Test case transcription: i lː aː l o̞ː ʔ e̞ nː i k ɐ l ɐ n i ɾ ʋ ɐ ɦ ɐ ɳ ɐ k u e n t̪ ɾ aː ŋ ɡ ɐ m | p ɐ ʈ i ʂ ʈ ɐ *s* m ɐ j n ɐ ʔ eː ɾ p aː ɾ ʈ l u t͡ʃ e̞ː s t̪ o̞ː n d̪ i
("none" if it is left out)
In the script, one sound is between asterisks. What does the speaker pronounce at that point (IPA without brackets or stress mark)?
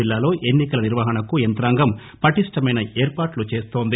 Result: none